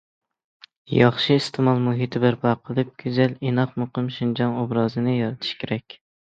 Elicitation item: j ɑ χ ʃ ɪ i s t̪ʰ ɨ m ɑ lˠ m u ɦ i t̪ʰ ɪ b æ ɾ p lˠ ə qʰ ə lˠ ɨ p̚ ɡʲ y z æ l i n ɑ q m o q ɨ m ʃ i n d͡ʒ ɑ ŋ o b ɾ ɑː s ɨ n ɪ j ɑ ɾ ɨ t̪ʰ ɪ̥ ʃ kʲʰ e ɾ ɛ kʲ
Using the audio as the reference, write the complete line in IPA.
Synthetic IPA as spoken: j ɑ χ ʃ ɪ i s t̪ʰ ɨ m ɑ lˠ m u ɦ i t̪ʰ ɪ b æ ɾ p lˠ ɑ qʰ ə lˠ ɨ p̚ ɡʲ y z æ l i n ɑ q m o q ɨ m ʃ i n d͡ʒ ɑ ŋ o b ɾ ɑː z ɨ n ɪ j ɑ ɾ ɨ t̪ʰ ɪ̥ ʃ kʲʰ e ɾ ɛ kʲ